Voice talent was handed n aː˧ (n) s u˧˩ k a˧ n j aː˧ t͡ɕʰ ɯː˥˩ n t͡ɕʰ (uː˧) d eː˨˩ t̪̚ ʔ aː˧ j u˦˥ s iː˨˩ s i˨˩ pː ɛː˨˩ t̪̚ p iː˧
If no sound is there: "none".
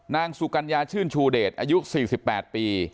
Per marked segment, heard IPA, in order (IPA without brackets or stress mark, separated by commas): ŋ, uː˧